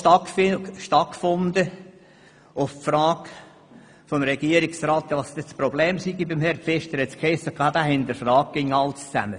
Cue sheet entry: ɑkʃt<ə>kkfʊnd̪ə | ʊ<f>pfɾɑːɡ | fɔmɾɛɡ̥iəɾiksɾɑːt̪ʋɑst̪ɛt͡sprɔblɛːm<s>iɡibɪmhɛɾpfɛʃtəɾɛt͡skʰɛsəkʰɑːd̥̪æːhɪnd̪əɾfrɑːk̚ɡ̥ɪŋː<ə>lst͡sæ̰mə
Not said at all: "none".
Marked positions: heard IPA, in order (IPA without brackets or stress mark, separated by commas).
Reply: ɑ, f, s, ɑ